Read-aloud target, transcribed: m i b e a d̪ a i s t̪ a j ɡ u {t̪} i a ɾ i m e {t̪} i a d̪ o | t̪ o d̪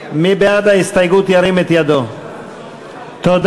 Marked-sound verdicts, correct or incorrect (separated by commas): correct, correct